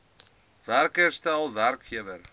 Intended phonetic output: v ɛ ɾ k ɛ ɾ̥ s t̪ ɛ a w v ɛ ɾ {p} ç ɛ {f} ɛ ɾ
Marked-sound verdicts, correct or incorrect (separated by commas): incorrect, incorrect